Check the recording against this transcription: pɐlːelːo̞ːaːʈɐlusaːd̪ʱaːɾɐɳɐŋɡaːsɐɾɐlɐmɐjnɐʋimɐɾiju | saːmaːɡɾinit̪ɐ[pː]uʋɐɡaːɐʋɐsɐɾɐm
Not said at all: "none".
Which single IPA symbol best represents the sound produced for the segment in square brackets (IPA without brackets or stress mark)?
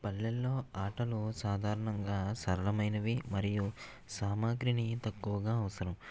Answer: kː